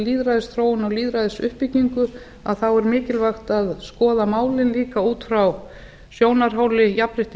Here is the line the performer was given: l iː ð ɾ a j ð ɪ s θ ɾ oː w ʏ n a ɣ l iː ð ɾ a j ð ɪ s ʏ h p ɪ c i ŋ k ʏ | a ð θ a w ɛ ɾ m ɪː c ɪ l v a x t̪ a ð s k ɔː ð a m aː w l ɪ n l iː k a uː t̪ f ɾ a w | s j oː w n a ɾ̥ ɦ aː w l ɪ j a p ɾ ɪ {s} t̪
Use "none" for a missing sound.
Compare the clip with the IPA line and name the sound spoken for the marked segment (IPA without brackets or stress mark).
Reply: h